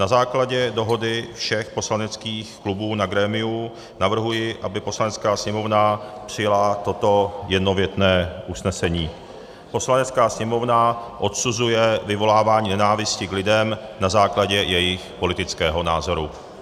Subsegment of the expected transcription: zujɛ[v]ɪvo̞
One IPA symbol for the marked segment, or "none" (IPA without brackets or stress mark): v